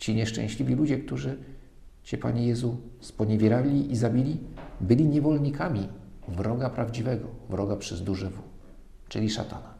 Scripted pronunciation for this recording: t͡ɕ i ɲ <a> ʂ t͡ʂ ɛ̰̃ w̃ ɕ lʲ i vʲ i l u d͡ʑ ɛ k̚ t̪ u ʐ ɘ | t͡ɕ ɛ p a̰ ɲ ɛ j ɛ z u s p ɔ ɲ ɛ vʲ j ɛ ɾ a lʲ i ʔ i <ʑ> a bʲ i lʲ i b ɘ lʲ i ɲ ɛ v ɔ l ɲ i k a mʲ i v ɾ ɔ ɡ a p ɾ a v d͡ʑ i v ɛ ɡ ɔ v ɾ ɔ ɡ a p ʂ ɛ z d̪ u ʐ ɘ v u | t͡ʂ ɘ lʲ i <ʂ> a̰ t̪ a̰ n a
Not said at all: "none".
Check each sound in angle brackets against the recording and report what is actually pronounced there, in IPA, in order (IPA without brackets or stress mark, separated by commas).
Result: ɛ, z, ʂ